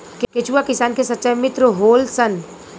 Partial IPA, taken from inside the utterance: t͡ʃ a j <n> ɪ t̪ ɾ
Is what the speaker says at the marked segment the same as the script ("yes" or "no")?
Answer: no